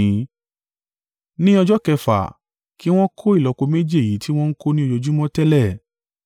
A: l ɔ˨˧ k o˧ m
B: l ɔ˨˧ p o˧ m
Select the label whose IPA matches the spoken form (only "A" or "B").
A